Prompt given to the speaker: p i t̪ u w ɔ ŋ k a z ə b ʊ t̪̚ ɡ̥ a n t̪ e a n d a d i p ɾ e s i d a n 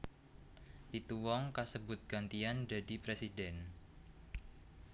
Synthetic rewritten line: p i t̪ u w ɔ ŋ k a s ə b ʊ t̪̚ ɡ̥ a n t̪ i a n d a d i p ɾ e s i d ɛ n